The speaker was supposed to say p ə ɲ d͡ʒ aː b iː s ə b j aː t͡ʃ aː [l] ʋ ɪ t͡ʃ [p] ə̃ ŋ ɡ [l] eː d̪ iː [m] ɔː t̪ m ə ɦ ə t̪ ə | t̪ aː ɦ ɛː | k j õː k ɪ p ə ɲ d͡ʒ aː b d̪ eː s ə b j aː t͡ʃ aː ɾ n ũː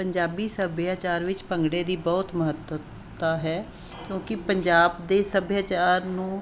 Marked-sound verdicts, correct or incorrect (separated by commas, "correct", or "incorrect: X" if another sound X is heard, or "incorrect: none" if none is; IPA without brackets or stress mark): incorrect: ɾ, correct, incorrect: ɽ, incorrect: b